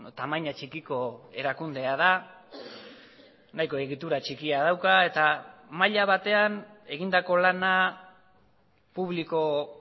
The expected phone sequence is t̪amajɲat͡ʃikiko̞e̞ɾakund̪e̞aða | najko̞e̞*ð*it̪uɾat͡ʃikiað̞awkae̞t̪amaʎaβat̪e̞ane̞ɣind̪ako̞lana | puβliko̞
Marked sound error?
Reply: yes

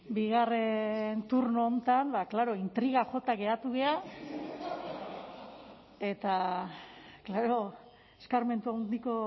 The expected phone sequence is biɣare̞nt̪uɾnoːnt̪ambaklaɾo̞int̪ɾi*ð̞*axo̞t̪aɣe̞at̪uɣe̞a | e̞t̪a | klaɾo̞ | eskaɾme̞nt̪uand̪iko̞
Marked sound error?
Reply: yes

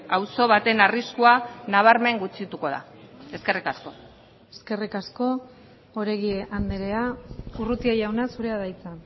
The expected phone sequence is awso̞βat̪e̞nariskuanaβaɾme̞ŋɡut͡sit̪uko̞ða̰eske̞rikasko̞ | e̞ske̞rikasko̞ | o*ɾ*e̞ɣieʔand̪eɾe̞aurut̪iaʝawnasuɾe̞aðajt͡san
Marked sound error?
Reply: no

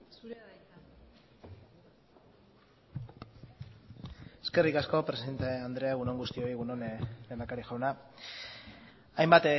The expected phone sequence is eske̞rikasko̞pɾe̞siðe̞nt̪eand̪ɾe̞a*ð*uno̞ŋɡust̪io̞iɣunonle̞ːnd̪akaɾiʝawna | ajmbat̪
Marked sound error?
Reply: yes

